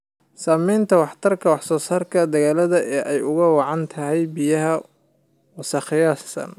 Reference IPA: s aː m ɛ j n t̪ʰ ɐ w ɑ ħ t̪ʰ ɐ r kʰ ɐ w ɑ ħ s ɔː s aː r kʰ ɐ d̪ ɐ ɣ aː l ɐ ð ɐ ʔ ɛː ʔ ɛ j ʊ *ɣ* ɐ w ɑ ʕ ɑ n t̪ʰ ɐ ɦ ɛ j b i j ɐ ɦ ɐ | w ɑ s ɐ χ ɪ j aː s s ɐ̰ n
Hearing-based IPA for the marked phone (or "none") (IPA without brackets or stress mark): ɣ